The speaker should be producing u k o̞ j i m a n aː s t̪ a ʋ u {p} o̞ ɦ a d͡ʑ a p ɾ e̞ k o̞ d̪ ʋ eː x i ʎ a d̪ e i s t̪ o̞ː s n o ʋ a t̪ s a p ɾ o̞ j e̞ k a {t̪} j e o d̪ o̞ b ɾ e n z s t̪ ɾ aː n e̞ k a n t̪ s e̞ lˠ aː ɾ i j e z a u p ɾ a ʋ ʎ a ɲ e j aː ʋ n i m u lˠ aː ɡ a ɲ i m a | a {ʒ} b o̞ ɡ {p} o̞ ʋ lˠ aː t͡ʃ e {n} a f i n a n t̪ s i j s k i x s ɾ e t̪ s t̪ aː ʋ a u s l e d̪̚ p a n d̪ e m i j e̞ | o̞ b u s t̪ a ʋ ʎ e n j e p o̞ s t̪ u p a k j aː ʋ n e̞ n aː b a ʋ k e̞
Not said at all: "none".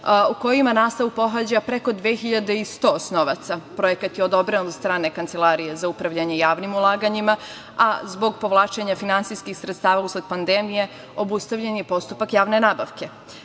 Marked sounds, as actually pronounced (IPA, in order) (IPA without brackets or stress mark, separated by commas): p, t̪, z, p, ɲ